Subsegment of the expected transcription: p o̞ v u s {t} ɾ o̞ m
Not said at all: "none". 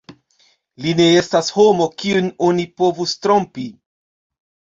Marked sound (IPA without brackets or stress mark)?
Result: t